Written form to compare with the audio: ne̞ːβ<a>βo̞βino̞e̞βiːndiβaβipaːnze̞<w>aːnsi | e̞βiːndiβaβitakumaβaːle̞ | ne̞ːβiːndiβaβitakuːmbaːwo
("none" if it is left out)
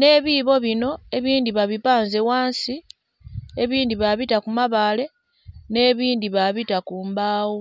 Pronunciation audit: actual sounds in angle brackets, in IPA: i, w

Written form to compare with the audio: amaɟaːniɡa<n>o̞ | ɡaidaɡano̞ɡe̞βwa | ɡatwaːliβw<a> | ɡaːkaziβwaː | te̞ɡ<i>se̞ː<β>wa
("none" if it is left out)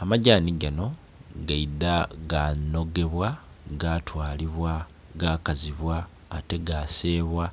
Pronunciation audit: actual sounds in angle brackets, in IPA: n, a, a, β

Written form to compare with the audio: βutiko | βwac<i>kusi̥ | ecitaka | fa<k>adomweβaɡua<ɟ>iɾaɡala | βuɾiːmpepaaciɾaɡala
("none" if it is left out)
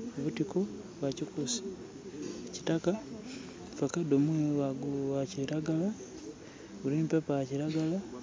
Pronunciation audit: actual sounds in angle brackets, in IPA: i, k, c

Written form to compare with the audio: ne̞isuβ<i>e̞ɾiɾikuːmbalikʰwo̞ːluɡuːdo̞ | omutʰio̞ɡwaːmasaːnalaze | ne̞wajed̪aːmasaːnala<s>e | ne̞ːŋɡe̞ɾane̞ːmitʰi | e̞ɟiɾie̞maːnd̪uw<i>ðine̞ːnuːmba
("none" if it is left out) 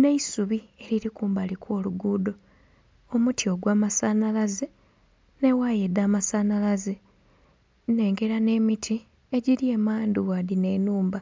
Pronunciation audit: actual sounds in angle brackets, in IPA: i, z, a

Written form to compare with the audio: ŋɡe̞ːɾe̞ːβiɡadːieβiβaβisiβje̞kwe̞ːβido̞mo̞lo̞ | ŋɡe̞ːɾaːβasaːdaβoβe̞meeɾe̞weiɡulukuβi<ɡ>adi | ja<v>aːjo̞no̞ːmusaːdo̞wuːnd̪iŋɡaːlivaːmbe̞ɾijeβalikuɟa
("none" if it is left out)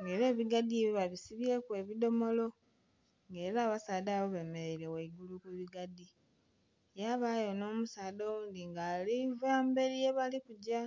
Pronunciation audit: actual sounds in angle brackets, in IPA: ɡ, β

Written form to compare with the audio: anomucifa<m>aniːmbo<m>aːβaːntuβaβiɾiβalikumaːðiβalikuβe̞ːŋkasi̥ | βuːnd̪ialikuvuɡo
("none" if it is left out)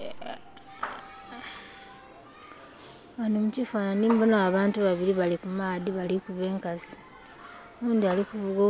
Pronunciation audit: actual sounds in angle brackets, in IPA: n, n

